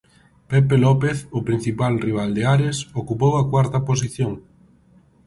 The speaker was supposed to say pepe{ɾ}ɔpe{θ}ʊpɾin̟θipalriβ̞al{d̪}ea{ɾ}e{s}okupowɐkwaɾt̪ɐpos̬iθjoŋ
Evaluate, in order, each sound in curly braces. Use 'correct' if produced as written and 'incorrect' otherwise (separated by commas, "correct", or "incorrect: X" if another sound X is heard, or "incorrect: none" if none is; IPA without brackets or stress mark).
incorrect: l, correct, correct, correct, correct